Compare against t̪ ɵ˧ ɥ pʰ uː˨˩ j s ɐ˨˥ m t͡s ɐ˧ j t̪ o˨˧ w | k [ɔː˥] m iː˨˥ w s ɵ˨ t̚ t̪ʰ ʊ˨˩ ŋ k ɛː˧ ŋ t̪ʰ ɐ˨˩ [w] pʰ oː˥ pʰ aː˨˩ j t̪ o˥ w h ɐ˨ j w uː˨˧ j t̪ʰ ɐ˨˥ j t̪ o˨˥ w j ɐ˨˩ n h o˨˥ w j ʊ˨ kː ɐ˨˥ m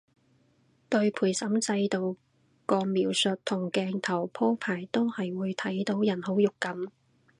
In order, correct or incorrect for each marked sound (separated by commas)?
incorrect, correct